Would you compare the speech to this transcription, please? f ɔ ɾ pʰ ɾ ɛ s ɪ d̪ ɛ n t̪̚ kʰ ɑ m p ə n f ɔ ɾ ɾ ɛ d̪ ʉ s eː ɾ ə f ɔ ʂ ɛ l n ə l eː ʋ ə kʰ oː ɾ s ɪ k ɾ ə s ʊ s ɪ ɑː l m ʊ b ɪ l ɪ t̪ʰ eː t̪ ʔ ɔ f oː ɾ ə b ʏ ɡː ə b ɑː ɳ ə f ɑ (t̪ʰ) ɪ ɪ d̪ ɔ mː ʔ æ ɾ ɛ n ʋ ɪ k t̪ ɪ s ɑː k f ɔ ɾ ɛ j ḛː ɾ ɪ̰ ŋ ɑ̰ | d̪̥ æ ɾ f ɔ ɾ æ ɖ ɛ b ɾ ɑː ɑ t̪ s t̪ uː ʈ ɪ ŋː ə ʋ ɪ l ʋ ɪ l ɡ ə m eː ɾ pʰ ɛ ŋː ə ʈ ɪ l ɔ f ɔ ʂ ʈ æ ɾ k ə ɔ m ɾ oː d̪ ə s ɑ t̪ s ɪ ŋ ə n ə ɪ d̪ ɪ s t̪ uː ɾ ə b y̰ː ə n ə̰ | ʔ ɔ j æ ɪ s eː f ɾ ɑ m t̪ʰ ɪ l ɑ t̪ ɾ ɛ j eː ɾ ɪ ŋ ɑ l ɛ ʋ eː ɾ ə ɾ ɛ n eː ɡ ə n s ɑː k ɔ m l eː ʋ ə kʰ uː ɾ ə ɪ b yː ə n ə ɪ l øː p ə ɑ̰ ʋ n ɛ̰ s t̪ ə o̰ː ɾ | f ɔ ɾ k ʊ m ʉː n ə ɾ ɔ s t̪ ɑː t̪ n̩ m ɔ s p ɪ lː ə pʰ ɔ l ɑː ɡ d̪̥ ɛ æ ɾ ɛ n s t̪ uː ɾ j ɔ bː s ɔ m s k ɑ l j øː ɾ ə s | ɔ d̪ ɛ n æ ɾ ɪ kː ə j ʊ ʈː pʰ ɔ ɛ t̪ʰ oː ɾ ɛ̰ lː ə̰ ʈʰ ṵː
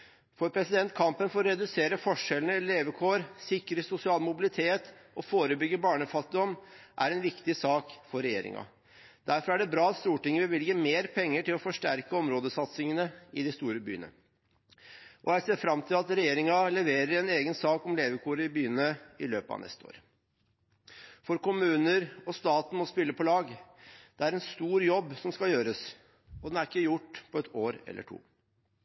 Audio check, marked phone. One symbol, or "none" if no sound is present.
t̪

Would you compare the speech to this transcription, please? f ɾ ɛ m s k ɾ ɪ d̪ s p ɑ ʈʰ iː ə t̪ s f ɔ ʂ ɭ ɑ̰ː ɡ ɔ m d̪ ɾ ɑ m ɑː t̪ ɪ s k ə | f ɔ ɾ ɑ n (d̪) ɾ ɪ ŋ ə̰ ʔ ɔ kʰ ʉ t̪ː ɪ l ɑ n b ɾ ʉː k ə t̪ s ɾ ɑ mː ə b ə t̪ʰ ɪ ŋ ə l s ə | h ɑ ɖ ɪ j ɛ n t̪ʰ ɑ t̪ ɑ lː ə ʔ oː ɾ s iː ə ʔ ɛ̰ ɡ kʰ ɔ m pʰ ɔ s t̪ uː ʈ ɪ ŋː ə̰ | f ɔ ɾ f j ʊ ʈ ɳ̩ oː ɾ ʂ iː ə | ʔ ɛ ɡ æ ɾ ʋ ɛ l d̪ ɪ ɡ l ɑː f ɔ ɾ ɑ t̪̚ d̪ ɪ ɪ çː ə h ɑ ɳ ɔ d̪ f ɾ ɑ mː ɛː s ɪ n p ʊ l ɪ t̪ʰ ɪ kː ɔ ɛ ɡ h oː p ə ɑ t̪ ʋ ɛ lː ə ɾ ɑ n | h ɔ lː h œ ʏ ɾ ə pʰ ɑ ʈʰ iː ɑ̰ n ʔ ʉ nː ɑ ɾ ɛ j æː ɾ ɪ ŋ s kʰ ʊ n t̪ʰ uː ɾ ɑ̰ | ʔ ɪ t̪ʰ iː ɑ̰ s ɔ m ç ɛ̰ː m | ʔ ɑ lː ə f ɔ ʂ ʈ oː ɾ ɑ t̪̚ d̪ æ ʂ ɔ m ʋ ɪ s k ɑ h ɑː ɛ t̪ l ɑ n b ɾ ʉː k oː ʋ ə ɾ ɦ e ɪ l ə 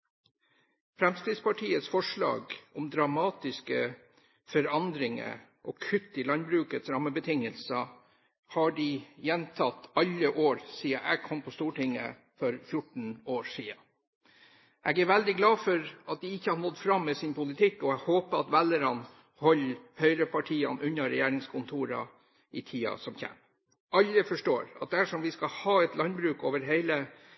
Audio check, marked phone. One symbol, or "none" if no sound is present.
d̪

